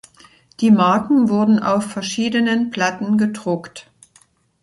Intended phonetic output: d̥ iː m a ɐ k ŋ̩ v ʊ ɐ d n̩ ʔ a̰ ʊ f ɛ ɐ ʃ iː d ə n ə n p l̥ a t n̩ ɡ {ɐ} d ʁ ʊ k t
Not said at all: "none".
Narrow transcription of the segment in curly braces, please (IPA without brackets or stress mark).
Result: ə